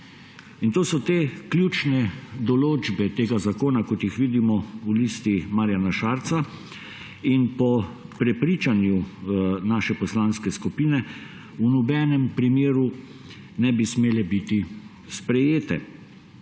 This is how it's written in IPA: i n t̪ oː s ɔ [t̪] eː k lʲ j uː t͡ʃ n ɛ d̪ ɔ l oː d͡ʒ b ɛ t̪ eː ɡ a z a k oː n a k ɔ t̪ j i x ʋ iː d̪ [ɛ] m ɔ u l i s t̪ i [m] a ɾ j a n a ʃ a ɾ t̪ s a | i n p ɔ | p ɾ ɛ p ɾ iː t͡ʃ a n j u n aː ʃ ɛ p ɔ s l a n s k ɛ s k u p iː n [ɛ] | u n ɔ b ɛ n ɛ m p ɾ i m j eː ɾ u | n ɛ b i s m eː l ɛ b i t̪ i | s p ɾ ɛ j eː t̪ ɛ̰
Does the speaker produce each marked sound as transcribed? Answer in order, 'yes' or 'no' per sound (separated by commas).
yes, no, yes, yes